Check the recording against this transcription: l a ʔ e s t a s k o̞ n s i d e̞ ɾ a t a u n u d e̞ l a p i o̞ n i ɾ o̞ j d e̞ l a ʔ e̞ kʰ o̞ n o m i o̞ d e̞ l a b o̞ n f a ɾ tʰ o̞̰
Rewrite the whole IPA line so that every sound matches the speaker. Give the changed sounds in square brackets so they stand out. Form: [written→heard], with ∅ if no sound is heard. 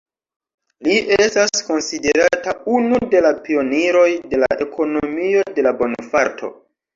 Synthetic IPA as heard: l [a→i] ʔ e s t a s k o̞ n s i d e̞ ɾ a t a u n u d e̞ l a p i o̞ n i ɾ o̞ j d e̞ l a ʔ e̞ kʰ o̞ n o m i o̞ d e̞ l a b o̞ n f a ɾ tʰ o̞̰